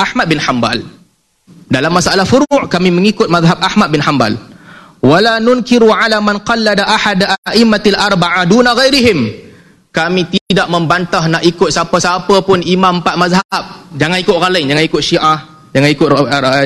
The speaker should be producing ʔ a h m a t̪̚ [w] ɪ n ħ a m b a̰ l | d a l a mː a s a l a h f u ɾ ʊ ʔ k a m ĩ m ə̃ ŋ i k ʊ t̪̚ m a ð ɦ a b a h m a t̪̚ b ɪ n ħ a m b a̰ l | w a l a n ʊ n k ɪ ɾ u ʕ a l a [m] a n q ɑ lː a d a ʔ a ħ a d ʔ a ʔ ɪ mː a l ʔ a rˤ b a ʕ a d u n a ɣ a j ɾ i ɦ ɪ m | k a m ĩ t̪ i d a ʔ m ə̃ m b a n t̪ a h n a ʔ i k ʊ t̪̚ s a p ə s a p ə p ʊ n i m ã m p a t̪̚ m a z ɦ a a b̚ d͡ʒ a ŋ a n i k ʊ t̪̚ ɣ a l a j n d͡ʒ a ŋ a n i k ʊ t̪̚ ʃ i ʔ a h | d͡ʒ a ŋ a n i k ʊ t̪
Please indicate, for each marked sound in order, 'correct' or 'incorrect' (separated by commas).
incorrect, correct